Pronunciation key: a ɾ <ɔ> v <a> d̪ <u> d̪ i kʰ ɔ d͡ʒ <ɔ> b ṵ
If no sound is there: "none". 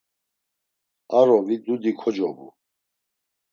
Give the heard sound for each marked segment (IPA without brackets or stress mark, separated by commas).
ɔ, i, u, ɔ